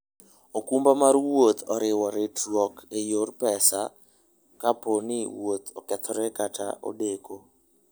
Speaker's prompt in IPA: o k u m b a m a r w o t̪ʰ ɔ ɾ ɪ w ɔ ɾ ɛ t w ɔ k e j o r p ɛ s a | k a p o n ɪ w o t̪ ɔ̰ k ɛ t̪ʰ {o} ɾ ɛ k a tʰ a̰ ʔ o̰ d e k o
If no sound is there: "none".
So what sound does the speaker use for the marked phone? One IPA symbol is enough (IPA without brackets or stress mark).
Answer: ɔ